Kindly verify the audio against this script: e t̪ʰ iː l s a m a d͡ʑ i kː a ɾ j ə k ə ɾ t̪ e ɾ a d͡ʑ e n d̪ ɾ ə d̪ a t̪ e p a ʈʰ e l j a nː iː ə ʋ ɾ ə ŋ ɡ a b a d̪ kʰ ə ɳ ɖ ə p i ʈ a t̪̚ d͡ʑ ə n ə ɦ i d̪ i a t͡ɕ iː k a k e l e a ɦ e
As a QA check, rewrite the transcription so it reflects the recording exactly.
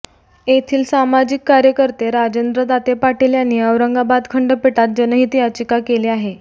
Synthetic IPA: e t̪ʰ iː l s a m a d͡ʑ i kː a ɾ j ə k ə ɾ t̪ e ɾ a d͡ʑ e n d̪ ɾ ə d̪ a t̪ e p a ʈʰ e l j a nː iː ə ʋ ɾ ə ŋ ɡ a b a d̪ kʰ ə ɳ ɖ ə p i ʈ a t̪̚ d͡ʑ ə n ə ɦ i t̪ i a t͡ɕ i k a k e l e a ɦ e